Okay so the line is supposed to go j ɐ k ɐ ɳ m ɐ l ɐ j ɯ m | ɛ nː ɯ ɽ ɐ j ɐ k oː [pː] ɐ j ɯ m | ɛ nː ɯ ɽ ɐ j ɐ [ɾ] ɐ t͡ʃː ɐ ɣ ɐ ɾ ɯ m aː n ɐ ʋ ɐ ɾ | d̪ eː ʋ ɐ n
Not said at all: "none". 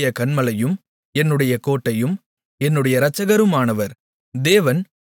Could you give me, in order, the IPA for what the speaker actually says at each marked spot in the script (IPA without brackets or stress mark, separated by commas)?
ʈː, ɾ